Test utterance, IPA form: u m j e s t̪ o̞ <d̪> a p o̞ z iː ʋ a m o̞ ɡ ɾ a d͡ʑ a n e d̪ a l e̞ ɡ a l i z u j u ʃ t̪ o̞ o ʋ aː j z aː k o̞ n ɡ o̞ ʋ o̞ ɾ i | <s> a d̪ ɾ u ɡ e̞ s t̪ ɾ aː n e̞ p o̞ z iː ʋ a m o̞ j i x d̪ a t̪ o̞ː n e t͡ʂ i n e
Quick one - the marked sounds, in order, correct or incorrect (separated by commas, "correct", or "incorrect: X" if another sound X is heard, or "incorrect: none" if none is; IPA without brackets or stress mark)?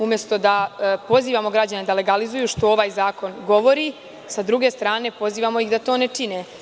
correct, correct